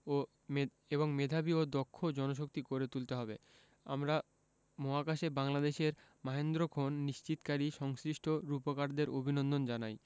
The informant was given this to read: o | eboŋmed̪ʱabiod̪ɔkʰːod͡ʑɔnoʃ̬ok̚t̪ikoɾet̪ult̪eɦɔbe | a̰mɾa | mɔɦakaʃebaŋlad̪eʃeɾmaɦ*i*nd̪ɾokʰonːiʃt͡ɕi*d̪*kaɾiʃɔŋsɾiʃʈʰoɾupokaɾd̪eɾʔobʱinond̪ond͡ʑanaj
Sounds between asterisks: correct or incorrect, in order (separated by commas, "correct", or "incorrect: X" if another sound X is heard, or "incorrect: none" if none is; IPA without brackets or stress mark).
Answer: incorrect: e, incorrect: t̪